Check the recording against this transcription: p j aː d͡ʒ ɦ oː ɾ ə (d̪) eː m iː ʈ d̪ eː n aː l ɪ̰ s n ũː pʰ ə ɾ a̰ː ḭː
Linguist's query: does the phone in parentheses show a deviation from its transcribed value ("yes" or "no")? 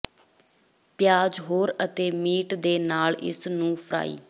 yes